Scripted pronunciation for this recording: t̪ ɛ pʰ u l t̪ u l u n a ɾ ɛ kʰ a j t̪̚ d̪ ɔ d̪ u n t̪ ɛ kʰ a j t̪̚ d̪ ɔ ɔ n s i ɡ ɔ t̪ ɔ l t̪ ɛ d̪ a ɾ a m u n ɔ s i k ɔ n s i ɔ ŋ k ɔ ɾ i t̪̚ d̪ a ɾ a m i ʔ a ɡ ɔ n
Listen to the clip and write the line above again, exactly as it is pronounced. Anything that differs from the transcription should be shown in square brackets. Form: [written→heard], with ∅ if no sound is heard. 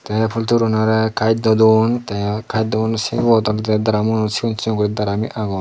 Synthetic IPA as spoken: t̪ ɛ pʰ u l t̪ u [l→ɾ] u n a ɾ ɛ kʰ a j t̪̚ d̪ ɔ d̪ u n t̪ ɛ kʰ a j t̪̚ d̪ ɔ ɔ n s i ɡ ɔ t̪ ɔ l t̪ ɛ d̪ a ɾ a m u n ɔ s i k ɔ n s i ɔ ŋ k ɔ ɾ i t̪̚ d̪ a ɾ a m i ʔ a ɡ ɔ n